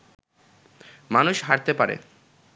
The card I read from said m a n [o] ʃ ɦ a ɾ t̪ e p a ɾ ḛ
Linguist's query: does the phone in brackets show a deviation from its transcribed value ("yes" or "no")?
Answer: yes